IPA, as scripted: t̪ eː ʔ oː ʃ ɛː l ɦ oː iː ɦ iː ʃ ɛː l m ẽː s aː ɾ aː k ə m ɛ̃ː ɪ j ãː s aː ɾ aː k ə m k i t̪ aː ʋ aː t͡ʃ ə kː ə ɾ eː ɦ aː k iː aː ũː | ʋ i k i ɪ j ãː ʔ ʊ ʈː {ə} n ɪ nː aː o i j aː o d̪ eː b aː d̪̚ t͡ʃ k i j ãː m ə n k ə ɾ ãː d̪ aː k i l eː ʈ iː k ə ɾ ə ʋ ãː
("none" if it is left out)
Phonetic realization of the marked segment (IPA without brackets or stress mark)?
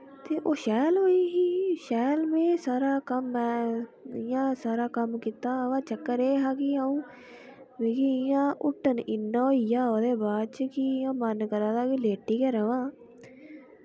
ə